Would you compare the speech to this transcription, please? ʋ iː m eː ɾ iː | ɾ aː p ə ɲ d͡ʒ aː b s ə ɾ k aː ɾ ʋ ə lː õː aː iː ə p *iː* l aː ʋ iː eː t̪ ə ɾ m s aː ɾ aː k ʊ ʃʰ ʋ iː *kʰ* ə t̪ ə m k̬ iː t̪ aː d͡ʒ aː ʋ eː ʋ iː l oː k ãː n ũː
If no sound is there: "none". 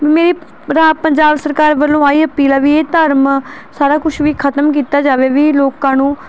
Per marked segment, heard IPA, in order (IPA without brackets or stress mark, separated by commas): iː, kʰ